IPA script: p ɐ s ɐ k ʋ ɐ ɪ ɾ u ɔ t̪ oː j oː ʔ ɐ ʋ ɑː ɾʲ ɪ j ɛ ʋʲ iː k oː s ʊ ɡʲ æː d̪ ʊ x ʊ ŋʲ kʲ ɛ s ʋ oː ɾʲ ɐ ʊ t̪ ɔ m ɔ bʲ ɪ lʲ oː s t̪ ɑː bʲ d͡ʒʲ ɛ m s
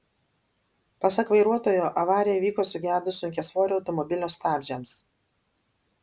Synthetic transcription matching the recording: p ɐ s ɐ k ʋ ɐ ɪ ɾ u ɔ t̪ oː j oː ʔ ɐ ʋ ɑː ɾʲ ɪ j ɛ ʋʲ iː k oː s ʊ ɡʲ æː d̪ ʊ s ʊ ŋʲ kʲ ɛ s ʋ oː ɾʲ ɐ ʊ t̪ ɔ m ɔ bʲ ɪ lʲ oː s t̪ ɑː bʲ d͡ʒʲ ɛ m s